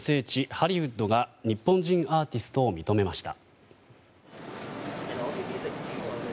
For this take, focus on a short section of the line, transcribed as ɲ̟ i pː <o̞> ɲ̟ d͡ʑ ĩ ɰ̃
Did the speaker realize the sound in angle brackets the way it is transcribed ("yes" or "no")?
no